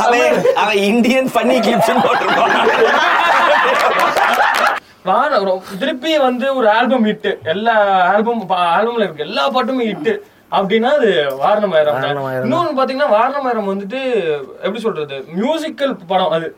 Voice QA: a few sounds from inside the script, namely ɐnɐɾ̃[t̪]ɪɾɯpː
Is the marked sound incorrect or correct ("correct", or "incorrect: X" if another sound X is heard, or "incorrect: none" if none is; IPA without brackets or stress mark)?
correct